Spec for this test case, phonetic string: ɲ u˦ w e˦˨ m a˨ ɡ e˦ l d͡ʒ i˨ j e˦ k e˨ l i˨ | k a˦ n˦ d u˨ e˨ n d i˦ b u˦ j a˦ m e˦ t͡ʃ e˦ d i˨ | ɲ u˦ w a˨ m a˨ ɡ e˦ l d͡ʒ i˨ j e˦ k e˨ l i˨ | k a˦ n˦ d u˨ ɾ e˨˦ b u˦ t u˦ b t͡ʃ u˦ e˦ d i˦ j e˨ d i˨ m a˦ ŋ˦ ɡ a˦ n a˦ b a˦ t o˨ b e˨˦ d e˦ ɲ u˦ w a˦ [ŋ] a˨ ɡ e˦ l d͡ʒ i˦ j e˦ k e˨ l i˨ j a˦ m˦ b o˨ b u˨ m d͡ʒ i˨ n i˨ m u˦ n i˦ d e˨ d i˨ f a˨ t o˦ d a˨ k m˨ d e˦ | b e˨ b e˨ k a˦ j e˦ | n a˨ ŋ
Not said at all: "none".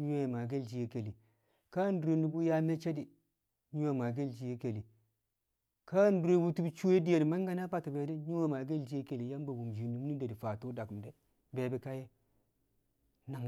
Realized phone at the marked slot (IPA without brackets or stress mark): m